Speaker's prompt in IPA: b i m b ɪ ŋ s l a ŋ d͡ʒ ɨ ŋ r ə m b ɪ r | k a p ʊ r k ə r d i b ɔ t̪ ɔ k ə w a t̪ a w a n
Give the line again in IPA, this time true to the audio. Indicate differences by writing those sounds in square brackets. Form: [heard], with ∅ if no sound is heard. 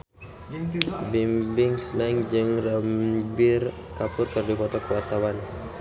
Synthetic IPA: b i m b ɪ ŋ s l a ŋ d͡ʒ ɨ ŋ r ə m b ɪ r | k a p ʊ r k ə r d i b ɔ t̪ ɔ k ə w a t̪ a w a n